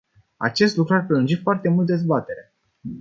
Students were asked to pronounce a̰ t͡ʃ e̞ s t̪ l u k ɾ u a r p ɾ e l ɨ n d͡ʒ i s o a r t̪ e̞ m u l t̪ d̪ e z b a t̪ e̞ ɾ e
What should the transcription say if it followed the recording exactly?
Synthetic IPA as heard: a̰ t͡ʃ e̞ s t̪ l u k ɾ u a r p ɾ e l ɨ n d͡ʒ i f o a r t̪ e̞ m u l t̪ d̪ e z b a t̪ e̞ ɾ e